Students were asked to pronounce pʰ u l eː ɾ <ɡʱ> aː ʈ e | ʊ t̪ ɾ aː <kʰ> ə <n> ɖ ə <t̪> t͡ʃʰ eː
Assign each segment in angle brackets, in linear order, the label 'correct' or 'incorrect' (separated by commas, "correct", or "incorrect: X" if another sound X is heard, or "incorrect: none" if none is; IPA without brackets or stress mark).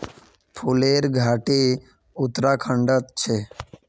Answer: correct, correct, incorrect: ɳ, correct